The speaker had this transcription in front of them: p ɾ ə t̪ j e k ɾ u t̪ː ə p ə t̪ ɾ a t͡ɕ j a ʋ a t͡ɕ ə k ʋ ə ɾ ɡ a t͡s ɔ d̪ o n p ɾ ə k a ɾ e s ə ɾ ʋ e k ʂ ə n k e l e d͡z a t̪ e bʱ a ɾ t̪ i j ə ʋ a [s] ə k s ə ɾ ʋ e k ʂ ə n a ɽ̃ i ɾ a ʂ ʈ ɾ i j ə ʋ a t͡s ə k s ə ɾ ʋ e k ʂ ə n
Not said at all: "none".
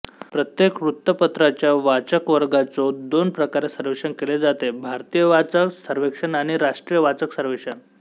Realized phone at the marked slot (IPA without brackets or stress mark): t͡s